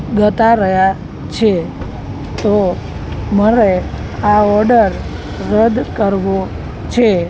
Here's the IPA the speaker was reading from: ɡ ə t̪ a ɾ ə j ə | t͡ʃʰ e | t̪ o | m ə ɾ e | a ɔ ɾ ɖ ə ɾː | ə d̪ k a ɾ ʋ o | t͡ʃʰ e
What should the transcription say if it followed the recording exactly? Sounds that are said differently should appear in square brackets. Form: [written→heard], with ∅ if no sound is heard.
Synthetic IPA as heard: ɡ ə t̪ a ɾ ə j [ə→a] | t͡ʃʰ e | t̪ o | m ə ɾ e | a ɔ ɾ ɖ ə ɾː | ə d̪ k [a→ə] ɾ ʋ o | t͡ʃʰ e

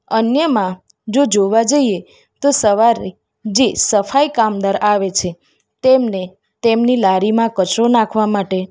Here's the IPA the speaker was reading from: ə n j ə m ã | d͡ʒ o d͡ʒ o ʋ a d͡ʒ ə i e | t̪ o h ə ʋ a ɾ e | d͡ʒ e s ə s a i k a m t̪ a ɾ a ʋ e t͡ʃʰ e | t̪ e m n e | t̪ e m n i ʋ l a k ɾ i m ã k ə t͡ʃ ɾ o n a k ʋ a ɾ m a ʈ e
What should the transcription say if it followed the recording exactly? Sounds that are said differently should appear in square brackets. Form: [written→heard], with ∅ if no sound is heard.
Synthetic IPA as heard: ə n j ə m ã | d͡ʒ o d͡ʒ o ʋ a d͡ʒ ə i e | t̪ o [h→s] ə ʋ a ɾ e | d͡ʒ e s ə [s→f] a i k a m [t̪→d̪] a ɾ a ʋ e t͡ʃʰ e | t̪ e m n e | t̪ e m n i [ʋ→∅] l a [k→∅] ɾ i m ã k ə t͡ʃ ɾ o n a [k→kʰ] ʋ a [ɾ→∅] m a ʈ e

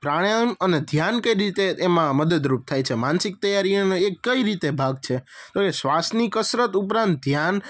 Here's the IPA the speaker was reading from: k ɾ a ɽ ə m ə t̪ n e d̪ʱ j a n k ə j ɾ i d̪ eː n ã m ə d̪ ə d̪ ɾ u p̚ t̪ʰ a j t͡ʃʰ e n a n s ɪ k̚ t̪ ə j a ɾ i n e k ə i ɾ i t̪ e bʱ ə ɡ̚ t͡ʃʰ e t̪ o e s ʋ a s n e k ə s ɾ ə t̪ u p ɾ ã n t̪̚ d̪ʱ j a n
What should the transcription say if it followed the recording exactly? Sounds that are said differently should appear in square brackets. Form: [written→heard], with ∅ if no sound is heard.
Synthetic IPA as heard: [k→p] ɾ a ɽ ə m ə [t̪→∅] n e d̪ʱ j a n k ə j ɾ i [d̪→t̪] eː [n→m] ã m ə d̪ ə d̪ ɾ u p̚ t̪ʰ a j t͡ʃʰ e [n→m] a n s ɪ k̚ t̪ ə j a ɾ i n e k ə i ɾ i t̪ e bʱ [ə→a] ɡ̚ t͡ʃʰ e t̪ o e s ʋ a s n [e→i] k ə s ɾ ə t̪ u p ɾ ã n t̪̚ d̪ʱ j a n

